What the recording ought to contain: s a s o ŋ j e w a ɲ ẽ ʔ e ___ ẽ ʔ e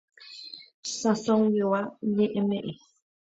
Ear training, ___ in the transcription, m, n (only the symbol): m